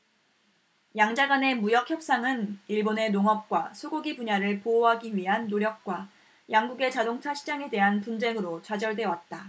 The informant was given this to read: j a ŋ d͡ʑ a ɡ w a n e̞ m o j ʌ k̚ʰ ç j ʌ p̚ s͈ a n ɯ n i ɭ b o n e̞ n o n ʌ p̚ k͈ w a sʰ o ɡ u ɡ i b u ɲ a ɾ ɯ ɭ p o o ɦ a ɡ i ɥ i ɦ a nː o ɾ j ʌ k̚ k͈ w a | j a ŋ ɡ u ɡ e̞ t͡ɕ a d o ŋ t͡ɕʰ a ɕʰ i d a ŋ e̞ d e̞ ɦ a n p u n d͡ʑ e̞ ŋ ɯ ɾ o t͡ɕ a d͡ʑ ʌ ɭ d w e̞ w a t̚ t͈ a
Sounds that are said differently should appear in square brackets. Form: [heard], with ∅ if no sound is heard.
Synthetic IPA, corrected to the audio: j a ŋ d͡ʑ a ɡ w a n e̞ m [u] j ʌ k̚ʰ ç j ʌ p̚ s͈ a [ŋ] ɯ n i ɭ b o n e̞ n o [ŋ] ʌ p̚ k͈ w a sʰ o ɡ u ɡ i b u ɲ a ɾ ɯ ɭ p o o ɦ a ɡ i ɥ i ɦ a nː o ɾ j ʌ k̚ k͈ w a | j a ŋ ɡ u ɡ e̞ t͡ɕ a d o ŋ t͡ɕʰ a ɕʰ i [d͡ʑ] a ŋ e̞ d e̞ ɦ a n p u n d͡ʑ e̞ ŋ ɯ ɾ o t͡ɕ a d͡ʑ ʌ ɭ d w e̞ w a t̚ t͈ a